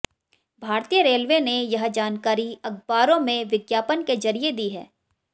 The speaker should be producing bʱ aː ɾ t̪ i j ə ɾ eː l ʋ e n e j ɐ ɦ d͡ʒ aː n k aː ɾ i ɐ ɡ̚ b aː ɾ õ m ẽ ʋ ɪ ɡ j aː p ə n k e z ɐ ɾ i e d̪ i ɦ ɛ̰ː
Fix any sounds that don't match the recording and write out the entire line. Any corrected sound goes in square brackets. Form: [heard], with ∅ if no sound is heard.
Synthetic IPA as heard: bʱ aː ɾ t̪ i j ə ɾ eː l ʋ e n e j ɐ ɦ d͡ʒ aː n k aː ɾ i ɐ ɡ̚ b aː ɾ õ m ẽ ʋ ɪ ɡ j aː p ə n k e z ɐ ɾ i e d̪ i ɦ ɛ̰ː